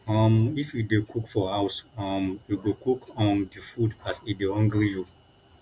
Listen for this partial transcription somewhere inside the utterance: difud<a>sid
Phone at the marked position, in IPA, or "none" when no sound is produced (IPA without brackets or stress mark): a